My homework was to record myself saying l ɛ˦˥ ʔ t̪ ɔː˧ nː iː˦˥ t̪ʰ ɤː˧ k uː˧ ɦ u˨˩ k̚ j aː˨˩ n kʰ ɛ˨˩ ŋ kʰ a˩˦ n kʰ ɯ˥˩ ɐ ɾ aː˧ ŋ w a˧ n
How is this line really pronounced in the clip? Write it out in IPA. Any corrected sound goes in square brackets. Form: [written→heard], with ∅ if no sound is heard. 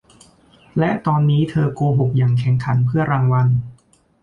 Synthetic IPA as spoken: l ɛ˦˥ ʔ t̪ ɔː˧ nː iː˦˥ t̪ʰ ɤː˧ k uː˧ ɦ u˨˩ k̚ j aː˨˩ [n→ŋ] kʰ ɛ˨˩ ŋ kʰ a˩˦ n [kʰ→pʰ] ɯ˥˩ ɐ ɾ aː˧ ŋ w a˧ n